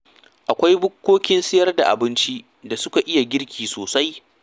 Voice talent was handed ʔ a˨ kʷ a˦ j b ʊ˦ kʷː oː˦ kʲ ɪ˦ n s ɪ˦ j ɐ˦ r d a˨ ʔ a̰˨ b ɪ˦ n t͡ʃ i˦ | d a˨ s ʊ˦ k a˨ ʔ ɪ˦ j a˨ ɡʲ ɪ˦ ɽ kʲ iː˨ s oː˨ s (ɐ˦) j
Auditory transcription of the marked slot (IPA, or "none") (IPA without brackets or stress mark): a˦